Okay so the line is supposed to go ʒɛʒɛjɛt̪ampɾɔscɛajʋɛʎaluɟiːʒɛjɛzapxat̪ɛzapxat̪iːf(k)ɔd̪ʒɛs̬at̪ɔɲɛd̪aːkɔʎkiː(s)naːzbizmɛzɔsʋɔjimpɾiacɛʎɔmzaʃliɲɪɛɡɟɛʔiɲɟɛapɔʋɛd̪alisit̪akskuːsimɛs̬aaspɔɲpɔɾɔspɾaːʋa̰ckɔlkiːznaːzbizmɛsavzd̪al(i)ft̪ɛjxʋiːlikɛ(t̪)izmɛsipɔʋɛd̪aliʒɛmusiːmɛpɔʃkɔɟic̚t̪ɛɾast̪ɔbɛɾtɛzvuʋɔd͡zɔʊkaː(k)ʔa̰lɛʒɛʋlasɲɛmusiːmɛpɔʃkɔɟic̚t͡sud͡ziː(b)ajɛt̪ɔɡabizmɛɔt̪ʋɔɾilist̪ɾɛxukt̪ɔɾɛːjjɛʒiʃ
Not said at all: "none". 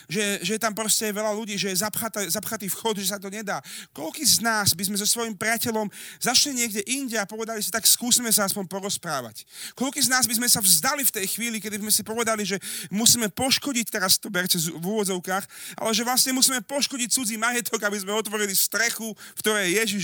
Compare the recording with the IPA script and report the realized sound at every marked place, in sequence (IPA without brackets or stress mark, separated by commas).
x, z, i, d̪, x, m